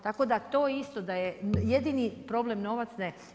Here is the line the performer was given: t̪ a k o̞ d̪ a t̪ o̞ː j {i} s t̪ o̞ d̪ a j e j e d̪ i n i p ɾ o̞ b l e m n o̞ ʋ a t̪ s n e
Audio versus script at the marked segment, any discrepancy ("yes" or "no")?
no